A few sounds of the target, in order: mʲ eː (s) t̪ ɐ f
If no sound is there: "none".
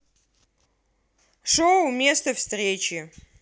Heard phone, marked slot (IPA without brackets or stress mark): s